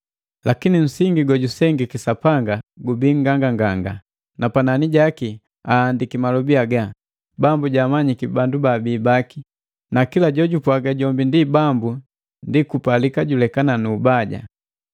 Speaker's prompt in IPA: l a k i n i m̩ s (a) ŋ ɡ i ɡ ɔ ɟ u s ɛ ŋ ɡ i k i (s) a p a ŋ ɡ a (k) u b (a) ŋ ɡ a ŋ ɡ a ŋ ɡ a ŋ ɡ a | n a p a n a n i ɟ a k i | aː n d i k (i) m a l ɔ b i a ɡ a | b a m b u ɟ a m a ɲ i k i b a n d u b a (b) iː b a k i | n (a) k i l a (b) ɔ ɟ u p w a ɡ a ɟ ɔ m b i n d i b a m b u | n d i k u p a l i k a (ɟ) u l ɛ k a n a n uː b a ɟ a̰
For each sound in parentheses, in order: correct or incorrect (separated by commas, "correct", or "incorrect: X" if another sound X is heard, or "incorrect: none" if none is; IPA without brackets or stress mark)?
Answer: incorrect: i, correct, incorrect: ɡ, incorrect: i, correct, correct, correct, incorrect: ɟ, correct